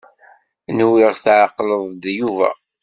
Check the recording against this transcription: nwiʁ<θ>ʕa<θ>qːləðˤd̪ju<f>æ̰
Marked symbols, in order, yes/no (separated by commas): yes, no, no